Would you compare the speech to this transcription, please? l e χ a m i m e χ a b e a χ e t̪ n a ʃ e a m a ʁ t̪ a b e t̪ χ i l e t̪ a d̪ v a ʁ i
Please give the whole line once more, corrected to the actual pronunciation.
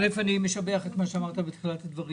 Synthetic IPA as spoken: l e f a n i m e ʃ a b e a χ e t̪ m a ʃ e a m a ʁ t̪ a b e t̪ χ i l a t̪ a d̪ v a ʁ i